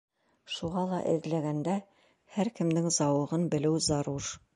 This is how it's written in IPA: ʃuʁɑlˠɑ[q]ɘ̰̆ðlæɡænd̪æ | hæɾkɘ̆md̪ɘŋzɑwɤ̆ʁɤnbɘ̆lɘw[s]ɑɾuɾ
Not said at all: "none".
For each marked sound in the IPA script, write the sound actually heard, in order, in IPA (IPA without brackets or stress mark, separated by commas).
ʔ, z